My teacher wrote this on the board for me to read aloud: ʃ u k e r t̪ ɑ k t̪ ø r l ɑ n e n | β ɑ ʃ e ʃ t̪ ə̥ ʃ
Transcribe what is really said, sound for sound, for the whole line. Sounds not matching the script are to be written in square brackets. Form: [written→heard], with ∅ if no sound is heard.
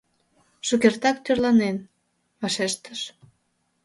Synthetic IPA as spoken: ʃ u k e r t̪ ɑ k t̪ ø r l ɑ n e n | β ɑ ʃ e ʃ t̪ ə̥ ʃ